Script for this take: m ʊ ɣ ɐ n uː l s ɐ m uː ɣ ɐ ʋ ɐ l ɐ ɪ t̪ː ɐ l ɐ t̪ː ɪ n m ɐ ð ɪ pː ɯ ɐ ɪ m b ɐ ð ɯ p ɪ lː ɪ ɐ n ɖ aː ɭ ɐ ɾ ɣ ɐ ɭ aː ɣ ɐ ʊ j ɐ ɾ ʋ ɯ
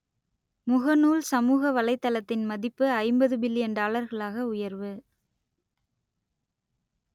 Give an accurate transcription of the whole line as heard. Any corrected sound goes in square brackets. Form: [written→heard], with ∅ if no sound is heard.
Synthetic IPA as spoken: m ʊ ɣ ɐ n uː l s ɐ m uː ɣ ɐ ʋ ɐ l ɐ ɪ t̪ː ɐ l ɐ t̪ː ɪ n m ɐ ð ɪ pː ɯ ɐ ɪ m b ɐ ð ɯ [p→b] ɪ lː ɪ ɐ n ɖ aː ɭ ɐ ɾ ɣ ɐ ɭ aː ɣ ɐ ʊ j ɐ ɾ ʋ ɯ